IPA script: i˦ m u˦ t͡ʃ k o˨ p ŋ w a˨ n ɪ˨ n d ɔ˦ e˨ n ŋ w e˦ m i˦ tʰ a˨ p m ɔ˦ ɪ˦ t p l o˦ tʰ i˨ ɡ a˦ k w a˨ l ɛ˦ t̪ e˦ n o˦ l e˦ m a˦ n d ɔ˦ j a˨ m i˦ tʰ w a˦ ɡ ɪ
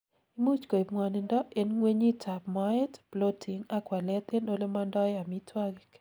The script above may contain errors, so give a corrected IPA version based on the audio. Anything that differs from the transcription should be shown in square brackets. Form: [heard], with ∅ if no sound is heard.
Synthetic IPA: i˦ m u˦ t͡ʃ k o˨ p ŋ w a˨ n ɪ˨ n d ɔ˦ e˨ n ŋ w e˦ [ɲ] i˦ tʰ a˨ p m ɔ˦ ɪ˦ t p l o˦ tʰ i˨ [ŋ] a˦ k w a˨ l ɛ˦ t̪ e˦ n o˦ l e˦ m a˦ n d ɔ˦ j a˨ m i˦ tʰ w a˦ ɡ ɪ